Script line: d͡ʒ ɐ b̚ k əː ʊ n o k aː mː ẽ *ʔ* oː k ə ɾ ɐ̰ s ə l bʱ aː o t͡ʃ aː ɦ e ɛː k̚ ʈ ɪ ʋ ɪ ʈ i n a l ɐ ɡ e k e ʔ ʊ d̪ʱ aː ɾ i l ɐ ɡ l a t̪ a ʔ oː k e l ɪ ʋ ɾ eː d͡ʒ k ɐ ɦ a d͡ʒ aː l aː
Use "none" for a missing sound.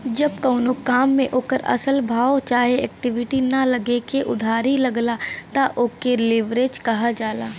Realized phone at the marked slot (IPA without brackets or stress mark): ʔ